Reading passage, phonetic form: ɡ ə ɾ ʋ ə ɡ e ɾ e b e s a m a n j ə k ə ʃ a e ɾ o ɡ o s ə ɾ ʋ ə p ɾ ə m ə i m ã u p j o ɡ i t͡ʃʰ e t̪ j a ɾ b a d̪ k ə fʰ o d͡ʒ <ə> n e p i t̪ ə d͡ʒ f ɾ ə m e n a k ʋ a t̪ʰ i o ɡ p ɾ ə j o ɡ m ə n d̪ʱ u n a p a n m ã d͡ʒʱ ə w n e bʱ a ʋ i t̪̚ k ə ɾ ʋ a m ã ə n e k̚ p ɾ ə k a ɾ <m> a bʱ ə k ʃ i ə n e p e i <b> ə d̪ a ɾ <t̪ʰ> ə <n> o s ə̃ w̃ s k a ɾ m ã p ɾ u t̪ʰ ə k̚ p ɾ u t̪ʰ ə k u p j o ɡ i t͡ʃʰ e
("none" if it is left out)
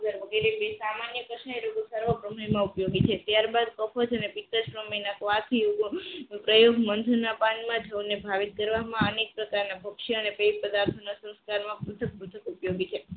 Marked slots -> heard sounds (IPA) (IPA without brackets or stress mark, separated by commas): ə, n, p, t̪ʰ, n